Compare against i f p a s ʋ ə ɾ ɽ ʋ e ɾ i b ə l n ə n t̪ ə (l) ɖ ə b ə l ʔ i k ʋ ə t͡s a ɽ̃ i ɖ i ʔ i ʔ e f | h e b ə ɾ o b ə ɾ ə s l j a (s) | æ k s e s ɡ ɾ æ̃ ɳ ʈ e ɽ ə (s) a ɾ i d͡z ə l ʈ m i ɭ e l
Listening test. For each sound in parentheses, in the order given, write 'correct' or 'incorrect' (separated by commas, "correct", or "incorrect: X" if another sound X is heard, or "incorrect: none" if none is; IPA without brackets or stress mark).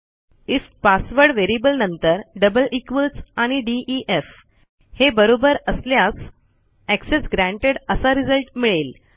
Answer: incorrect: ɾ, correct, correct